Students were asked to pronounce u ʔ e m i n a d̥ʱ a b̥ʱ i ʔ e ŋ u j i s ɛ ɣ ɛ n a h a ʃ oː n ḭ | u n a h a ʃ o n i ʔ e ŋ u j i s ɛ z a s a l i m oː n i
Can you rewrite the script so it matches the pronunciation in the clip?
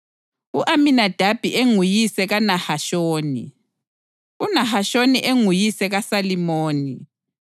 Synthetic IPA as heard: u ʔ a m i n a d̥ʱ a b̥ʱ i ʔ e ŋ u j i s ɛ ɣ a n a h a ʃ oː n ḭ | u n a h a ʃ o n i ʔ e ŋ u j i s ɛ ɣ a s a l i m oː n i